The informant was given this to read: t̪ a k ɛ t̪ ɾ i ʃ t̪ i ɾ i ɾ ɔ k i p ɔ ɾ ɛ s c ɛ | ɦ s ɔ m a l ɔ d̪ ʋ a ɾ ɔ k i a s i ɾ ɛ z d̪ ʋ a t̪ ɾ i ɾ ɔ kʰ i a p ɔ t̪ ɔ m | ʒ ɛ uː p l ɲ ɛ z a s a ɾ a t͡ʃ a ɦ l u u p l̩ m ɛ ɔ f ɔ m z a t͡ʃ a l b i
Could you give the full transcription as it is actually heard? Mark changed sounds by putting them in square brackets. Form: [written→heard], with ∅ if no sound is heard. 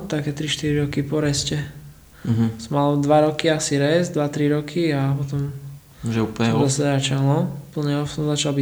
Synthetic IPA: t̪ a k ɛ t̪ ɾ i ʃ t̪ i ɾ i ɾ ɔ k i p ɔ ɾ ɛ s c ɛ | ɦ s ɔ m a l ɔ d̪ ʋ a ɾ ɔ k i a s i ɾ ɛ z d̪ ʋ a t̪ ɾ i ɾ ɔ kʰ i a p ɔ t̪ ɔ m | ʒ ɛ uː p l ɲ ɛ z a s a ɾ a t͡ʃ a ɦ l [u→ɔ] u p l̩ [m→ɲ] ɛ ɔ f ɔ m z a t͡ʃ a l b i